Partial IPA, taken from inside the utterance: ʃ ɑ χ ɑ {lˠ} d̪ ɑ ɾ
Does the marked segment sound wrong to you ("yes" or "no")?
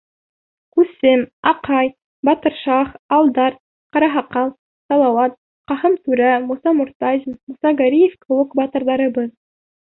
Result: no